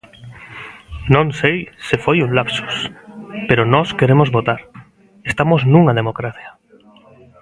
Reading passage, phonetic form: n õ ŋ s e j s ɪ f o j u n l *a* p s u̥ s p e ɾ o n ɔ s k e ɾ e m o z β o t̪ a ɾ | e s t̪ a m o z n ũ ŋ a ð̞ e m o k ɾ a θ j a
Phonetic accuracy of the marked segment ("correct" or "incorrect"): correct